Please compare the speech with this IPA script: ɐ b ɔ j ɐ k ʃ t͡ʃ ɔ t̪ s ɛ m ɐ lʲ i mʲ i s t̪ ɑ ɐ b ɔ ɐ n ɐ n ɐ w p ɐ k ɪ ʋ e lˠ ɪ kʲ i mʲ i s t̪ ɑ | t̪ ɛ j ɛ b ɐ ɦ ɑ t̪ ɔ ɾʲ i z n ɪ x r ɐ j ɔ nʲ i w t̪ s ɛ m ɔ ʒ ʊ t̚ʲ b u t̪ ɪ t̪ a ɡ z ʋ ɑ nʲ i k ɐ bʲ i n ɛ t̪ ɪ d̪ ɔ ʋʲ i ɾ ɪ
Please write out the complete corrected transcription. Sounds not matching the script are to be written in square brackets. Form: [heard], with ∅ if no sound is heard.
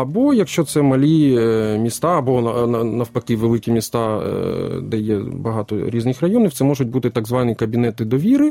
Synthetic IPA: ɐ b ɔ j ɐ k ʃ t͡ʃ ɔ t̪ s ɛ m ɐ lʲ i mʲ i s t̪ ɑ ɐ b ɔ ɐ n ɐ n ɐ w p ɐ k ɪ ʋ e lˠ ɪ kʲ i mʲ i s t̪ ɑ | [d̪] ɛ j ɛ b ɐ ɦ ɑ t̪ ɔ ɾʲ i z n ɪ x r ɐ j ɔ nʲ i w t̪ s ɛ m ɔ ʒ ʊ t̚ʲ b u t̪ ɪ t̪ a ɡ z ʋ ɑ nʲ i k ɐ bʲ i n ɛ t̪ ɪ d̪ ɔ ʋʲ i ɾ ɪ